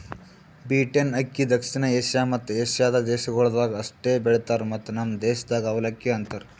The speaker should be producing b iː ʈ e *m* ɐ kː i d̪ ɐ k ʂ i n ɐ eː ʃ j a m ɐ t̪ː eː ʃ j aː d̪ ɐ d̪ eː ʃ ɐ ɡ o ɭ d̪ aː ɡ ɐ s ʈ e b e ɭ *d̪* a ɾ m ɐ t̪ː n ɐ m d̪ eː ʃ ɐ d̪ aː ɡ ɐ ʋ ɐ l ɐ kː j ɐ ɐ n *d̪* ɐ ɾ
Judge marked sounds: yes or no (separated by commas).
no, no, no